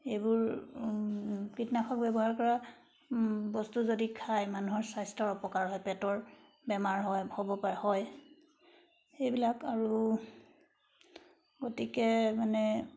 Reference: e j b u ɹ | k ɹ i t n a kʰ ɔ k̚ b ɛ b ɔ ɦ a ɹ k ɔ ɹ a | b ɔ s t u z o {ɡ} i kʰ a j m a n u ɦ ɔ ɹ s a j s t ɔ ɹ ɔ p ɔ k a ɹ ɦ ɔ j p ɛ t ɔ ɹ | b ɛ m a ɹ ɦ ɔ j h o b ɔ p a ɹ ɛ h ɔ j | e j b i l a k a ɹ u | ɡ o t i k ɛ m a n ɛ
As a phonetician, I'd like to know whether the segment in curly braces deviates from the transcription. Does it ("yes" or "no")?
yes